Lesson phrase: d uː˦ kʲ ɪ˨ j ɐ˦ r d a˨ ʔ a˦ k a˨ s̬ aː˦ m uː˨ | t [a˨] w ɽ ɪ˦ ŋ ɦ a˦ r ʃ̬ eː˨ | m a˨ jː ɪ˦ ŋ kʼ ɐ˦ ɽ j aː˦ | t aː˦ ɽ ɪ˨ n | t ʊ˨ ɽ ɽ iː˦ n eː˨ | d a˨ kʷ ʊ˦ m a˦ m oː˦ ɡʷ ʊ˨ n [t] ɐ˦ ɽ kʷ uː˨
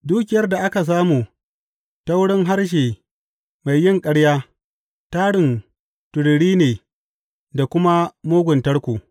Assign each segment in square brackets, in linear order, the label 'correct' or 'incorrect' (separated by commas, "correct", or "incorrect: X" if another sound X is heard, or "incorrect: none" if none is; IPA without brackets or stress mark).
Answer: incorrect: a˦, correct